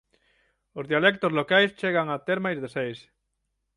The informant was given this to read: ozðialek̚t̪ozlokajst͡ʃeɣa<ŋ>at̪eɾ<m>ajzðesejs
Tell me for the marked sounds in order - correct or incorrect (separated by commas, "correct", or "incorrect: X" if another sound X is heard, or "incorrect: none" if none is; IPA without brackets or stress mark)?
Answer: correct, correct